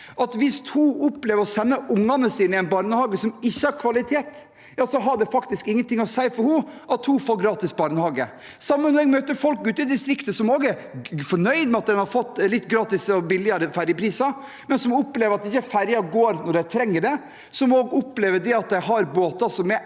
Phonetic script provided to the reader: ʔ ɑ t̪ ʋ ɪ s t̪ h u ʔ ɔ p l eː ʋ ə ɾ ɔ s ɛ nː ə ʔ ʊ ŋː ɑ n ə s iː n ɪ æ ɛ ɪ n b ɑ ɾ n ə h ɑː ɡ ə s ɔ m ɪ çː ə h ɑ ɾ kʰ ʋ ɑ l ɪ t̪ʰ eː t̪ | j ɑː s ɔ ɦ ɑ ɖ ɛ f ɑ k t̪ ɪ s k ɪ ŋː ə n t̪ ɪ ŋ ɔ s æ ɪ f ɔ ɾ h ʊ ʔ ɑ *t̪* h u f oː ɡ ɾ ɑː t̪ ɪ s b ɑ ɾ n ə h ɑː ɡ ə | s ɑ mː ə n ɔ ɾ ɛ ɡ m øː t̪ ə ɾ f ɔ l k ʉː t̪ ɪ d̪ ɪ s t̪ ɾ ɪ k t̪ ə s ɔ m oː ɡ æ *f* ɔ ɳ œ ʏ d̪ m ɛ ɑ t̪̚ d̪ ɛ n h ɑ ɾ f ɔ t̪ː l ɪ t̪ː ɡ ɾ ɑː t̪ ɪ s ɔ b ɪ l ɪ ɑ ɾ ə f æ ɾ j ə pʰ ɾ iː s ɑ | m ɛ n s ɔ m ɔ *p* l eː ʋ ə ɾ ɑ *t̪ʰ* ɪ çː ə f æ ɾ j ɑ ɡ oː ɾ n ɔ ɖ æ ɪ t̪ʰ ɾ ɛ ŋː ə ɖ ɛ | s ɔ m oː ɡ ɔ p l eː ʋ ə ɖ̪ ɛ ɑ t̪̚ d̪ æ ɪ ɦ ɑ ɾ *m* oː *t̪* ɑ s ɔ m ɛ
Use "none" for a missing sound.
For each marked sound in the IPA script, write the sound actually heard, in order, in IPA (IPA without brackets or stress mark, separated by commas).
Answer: t̪, f, p, t̪, b, t̪